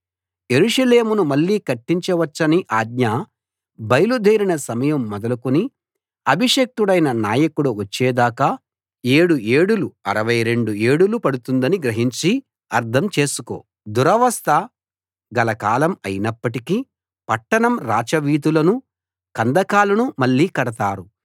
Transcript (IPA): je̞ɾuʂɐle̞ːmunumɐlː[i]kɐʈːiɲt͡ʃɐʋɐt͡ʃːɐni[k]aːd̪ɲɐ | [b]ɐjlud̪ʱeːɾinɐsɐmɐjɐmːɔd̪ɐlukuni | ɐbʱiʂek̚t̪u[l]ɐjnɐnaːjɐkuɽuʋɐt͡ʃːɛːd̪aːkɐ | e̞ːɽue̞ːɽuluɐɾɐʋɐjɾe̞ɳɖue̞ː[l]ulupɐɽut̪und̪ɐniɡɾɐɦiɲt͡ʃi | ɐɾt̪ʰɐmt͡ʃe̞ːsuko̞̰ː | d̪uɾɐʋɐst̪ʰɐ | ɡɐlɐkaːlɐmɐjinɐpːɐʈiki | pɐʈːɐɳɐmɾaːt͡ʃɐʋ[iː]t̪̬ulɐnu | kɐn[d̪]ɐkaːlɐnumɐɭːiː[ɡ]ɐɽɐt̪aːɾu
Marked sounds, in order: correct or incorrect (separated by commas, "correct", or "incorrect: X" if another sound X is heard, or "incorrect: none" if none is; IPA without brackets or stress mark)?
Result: incorrect: iː, incorrect: ʔ, correct, incorrect: ɽ, incorrect: ɽ, correct, correct, incorrect: k